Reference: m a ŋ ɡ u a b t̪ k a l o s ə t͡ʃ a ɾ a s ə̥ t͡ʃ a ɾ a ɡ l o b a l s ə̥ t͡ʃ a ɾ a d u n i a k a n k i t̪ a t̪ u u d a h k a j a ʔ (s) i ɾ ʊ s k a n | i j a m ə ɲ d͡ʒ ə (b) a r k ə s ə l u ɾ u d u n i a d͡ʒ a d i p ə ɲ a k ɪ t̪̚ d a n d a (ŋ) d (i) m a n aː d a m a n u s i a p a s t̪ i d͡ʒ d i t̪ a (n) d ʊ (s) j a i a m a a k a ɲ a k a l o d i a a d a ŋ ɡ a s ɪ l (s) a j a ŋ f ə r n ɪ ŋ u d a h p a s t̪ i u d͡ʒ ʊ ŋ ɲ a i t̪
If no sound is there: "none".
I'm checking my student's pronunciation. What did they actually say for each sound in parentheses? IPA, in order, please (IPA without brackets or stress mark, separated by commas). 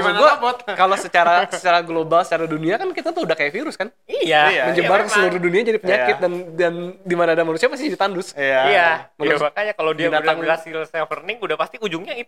f, b, n, i, n, s, s